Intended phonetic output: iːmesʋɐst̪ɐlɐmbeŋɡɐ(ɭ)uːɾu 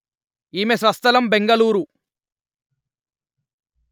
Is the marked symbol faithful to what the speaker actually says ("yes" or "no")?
no